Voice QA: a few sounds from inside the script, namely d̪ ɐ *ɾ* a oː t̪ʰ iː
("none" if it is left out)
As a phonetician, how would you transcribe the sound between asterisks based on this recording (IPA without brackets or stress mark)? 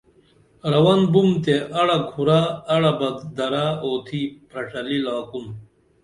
ɾ